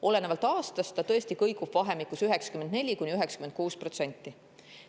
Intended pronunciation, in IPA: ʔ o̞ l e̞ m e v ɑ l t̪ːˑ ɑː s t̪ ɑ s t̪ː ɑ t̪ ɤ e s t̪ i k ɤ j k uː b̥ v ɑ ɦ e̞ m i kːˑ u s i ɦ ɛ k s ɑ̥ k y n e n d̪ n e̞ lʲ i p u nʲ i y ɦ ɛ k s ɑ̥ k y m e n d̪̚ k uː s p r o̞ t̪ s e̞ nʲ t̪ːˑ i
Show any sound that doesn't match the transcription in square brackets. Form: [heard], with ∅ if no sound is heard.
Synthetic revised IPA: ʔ o̞ l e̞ [n] e v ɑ l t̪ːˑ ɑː s t̪ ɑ s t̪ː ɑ t̪ ɤ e s t̪ i k ɤ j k [u] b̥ v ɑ ɦ e̞ m i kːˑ u s [y] ɦ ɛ k s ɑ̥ k y [m] e n d̪ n e̞ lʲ i [k] u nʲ i y ɦ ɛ k s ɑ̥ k y m e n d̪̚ k uː s p r o̞ t̪ s e̞ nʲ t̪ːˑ i